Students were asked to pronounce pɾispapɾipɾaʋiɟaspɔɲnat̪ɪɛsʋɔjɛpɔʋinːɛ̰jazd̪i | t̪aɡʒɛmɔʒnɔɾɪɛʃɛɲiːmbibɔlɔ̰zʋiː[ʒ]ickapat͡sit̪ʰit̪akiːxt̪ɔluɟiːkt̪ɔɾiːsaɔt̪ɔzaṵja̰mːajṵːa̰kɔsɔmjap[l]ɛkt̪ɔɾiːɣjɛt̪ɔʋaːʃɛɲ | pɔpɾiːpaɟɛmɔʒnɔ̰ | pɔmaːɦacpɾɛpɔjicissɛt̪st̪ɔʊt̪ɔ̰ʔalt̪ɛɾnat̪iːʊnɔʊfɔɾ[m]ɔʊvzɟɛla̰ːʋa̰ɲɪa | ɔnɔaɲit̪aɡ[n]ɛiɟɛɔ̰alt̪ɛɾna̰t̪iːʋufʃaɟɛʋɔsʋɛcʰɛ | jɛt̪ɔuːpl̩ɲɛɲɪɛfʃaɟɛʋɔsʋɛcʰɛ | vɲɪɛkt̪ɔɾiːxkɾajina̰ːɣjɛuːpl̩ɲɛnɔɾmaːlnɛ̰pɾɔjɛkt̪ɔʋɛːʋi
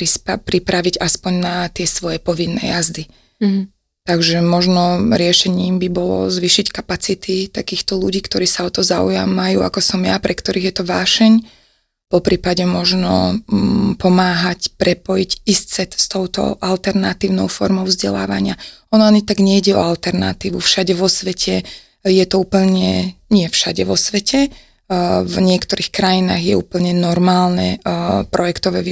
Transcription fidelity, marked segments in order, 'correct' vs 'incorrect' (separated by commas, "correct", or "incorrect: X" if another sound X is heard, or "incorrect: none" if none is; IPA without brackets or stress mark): incorrect: ʃ, incorrect: ɾ, correct, incorrect: ɲ